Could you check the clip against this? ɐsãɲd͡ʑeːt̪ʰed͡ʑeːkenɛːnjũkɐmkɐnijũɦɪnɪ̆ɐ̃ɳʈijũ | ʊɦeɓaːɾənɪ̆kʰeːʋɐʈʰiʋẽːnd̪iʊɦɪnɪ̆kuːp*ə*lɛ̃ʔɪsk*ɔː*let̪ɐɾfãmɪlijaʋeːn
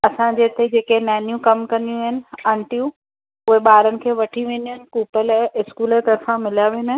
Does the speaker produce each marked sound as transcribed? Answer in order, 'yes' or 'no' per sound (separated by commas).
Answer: yes, no